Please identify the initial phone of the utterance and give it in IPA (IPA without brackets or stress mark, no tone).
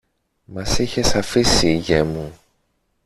m